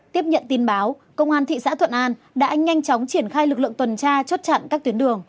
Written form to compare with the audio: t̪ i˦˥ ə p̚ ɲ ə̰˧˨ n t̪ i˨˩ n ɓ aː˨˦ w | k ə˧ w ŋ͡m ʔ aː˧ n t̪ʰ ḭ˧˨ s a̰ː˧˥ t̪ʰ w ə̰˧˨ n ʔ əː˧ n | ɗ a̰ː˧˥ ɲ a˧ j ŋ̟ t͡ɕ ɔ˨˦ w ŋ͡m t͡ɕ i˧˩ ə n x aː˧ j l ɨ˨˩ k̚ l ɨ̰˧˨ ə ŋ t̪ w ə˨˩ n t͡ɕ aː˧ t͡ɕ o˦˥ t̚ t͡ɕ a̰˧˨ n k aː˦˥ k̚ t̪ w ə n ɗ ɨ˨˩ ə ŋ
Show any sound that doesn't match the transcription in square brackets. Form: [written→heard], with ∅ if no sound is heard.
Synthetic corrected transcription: t̪ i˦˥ ə p̚ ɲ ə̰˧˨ n t̪ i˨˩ n ɓ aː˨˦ w | k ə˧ w ŋ͡m ʔ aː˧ n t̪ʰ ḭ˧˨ s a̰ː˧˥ t̪ʰ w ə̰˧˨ n ʔ [əː˧→aː˧] n | ɗ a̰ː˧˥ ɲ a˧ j ŋ̟ t͡ɕ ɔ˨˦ w ŋ͡m t͡ɕ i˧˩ ə n x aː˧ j l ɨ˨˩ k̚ l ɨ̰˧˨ ə ŋ t̪ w ə˨˩ n t͡ɕ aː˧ t͡ɕ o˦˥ t̚ t͡ɕ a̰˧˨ n k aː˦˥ k̚ t̪ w ə n ɗ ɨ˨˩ ə ŋ